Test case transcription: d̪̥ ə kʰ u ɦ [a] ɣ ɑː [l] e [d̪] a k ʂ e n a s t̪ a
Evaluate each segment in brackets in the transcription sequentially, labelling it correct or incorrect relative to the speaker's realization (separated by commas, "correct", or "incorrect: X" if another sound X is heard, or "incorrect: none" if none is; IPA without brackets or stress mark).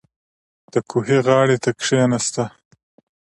incorrect: e, incorrect: ɽ, incorrect: t̪